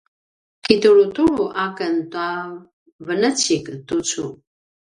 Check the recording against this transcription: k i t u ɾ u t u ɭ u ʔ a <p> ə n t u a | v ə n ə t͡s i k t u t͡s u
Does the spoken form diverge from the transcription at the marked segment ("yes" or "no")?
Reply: yes